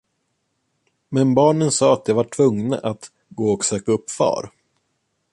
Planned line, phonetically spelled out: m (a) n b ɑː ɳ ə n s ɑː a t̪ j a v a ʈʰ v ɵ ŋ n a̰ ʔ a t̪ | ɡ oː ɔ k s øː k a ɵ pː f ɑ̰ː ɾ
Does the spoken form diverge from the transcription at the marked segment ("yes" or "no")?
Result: yes